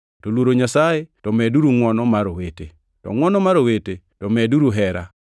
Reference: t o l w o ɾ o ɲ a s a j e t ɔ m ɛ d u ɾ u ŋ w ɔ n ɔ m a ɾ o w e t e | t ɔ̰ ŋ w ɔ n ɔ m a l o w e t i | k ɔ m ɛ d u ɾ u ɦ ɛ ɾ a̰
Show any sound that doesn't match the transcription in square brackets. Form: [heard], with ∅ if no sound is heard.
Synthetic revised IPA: t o l w o ɾ o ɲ a s a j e t ɔ m ɛ d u ɾ u ŋ w ɔ n ɔ m a ɾ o w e t e | t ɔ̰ ŋ w ɔ n ɔ m a [ɾ] o w e t [e] | [t] ɔ m ɛ d u ɾ u ɦ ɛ ɾ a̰